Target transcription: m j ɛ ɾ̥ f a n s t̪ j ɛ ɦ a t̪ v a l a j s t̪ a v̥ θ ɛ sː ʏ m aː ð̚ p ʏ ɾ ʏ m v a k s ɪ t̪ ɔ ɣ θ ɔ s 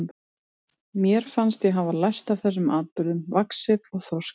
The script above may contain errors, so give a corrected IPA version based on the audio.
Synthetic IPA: m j ɛ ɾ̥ f a n s t̪ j ɛ ɦ a v a l a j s t̪ a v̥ θ ɛ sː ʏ m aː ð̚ p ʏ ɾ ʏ m v a k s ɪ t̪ ɔ ɣ θ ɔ s